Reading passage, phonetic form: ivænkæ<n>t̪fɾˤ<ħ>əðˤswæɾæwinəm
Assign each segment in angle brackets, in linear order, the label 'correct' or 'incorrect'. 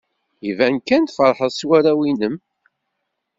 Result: correct, correct

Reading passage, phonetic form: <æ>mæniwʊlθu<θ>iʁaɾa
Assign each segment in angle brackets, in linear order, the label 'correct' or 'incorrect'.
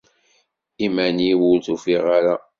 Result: incorrect: i, incorrect: f

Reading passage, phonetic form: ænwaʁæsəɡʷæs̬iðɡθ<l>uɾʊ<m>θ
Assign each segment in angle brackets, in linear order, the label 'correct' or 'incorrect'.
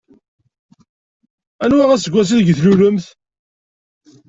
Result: correct, correct

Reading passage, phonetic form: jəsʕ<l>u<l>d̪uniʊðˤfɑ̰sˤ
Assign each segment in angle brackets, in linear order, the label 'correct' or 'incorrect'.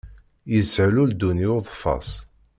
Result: correct, correct

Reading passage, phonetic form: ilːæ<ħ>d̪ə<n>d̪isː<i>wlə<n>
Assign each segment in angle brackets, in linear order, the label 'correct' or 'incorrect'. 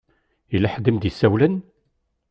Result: correct, incorrect: m, incorrect: æ, correct

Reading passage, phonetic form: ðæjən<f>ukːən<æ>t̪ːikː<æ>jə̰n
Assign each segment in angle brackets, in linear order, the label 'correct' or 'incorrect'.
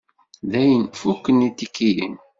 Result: correct, incorrect: i, incorrect: i

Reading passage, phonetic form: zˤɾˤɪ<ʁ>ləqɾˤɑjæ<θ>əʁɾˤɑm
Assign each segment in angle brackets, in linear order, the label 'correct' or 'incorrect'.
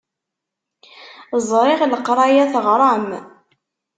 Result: correct, correct

